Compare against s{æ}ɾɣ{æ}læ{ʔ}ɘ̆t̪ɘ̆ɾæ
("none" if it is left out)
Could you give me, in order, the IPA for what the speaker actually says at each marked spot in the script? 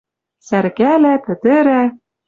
æ, æ, p

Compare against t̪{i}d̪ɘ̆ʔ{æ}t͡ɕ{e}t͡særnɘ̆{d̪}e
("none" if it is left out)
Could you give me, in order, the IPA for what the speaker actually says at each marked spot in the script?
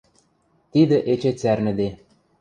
i, e, e, d̪

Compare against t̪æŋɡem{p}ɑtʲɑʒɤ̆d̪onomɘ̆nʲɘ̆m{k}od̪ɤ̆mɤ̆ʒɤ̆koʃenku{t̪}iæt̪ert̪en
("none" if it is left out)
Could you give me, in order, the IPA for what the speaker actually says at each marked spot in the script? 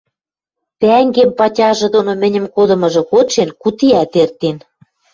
p, k, t̪

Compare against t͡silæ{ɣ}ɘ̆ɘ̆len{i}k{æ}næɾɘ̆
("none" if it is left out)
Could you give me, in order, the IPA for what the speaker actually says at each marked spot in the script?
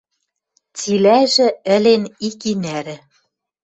ʒ, i, i

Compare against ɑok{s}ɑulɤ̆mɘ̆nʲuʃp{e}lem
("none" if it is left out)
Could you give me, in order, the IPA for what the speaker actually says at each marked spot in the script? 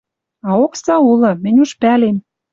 s, æ

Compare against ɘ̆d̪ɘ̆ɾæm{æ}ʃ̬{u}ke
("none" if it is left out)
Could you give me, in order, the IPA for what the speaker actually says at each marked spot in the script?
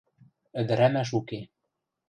æ, u

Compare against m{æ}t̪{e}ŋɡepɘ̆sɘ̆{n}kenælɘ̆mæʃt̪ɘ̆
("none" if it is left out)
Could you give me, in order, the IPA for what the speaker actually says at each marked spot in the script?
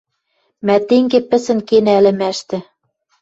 æ, e, n

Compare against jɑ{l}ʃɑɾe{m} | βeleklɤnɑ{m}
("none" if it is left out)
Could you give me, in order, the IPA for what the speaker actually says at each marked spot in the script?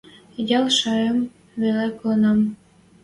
l, m, m

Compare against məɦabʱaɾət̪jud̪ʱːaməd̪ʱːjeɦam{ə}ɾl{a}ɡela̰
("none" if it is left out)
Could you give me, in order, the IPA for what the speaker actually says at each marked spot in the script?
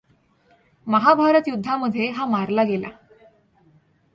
a, a

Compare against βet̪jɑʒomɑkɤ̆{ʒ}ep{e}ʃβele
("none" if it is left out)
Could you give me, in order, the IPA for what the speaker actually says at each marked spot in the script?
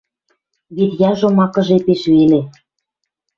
ʒ, e

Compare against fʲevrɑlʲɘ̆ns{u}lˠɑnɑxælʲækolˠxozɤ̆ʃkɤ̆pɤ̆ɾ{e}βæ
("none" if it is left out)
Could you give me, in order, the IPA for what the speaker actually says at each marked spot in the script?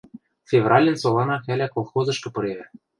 o, e

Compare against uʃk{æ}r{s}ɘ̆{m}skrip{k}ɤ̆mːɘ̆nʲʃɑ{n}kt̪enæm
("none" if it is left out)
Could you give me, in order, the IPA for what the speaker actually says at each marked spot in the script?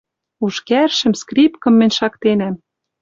æ, ʃ, m, k, none

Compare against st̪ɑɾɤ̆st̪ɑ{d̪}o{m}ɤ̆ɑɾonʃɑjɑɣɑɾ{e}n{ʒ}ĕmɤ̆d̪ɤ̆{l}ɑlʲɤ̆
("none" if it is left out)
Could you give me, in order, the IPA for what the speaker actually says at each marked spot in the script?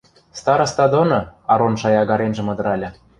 d̪, n, e, ʒ, ɾ

